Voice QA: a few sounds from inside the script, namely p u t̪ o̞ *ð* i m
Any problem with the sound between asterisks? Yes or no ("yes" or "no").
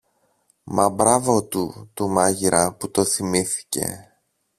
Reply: yes